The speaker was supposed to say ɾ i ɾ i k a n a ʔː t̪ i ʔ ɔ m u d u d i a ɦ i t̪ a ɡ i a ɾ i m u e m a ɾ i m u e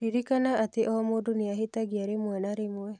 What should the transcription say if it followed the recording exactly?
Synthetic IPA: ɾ i ɾ i k a n a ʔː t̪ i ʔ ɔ m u d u n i a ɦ i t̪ a ɡ i a ɾ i m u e n a ɾ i m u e